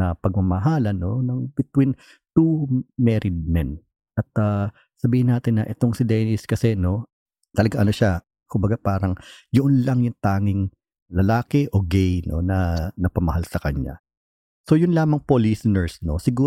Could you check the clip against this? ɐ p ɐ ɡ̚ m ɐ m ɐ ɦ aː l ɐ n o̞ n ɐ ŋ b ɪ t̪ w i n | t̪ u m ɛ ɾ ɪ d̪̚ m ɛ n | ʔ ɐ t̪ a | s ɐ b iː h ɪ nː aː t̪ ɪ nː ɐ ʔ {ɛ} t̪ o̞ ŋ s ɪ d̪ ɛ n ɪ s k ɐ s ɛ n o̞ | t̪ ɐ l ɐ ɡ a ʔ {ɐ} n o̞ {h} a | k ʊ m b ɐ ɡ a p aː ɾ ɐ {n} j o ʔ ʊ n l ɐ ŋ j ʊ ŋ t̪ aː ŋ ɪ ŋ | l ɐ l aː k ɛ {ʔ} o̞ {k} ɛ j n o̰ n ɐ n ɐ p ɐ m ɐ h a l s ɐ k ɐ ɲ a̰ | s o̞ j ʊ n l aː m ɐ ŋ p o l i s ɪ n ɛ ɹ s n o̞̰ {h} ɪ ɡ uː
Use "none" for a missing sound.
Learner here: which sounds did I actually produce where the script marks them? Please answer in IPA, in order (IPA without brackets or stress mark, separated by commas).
ɛ, ɐ, ʃ, ŋ, ʔ, ɡ, s